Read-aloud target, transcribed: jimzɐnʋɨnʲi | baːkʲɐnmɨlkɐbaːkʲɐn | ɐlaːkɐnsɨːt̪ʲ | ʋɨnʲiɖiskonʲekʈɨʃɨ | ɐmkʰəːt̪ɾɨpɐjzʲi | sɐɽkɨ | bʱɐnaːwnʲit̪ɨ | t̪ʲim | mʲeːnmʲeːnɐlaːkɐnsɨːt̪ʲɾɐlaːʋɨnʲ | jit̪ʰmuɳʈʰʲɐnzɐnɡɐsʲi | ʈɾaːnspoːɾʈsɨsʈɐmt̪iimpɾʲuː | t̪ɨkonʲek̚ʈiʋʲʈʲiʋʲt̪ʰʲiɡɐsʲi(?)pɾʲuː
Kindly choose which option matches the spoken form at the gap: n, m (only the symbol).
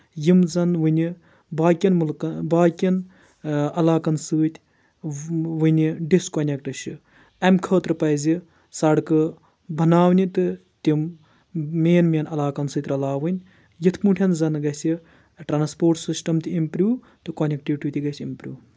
m